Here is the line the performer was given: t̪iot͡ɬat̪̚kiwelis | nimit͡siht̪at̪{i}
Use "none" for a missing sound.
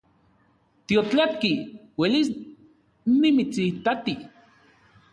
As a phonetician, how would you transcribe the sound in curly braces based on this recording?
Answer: i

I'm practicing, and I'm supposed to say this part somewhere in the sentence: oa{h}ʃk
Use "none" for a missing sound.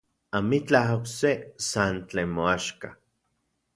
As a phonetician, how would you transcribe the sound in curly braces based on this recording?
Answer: none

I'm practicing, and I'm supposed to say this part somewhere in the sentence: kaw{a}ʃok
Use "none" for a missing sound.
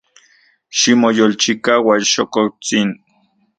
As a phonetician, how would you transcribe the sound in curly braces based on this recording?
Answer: a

